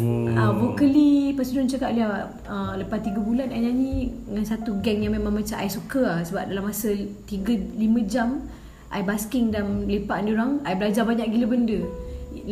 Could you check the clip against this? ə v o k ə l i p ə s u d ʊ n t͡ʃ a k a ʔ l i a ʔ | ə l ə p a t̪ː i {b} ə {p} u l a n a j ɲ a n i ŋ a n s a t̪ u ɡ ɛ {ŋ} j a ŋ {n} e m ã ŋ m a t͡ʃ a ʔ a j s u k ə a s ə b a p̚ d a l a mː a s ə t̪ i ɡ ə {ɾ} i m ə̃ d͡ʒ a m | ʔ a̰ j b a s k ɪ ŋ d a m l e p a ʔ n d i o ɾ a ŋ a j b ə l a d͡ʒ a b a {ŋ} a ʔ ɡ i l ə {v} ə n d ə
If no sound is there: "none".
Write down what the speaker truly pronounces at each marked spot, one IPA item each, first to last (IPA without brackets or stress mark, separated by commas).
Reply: ɡ, b, ŋ, m, l, ɲ, b